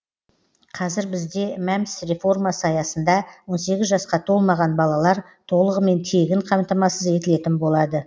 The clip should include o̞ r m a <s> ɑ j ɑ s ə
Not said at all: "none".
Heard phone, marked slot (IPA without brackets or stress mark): s